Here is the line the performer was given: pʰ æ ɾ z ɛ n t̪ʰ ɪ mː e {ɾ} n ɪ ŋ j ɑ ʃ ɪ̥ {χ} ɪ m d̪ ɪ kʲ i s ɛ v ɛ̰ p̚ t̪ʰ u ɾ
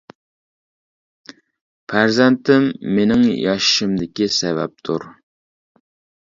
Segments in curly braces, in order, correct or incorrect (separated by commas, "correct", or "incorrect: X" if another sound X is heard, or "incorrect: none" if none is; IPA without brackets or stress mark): incorrect: none, incorrect: ʃ